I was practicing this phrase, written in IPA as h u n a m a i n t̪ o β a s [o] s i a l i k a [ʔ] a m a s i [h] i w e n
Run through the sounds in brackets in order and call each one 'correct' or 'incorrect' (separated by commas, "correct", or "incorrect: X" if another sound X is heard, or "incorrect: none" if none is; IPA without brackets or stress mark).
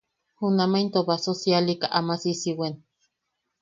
correct, correct, incorrect: s